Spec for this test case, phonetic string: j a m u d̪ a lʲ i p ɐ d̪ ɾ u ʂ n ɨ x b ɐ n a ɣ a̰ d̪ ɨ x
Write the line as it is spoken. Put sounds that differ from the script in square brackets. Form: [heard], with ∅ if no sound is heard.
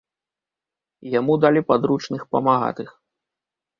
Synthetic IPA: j a m u d̪ a lʲ i p [a] d̪ ɾ u [t͡ʂ] n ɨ x [p] ɐ [m] a ɣ a̰ [t̪] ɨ x